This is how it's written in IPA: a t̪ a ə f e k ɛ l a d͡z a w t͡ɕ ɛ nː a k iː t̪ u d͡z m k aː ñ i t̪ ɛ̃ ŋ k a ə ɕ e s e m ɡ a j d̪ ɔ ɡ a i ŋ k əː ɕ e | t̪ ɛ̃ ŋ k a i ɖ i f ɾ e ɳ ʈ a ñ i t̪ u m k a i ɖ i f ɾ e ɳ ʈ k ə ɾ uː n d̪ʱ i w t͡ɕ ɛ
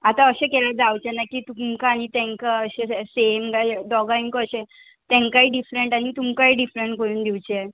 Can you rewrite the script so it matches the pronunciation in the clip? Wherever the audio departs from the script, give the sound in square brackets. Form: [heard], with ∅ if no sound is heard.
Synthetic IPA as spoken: a t̪ a ə [ɕ] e k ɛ l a d͡z a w t͡ɕ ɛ [n] a k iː t̪ u [∅] m k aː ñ i t̪ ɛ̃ ŋ k a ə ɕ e s e m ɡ a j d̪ ɔ ɡ a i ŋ k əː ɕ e | t̪ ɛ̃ ŋ k a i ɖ i f ɾ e ɳ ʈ a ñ i t̪ u m k a i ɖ i f ɾ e ɳ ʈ k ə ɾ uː n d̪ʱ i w t͡ɕ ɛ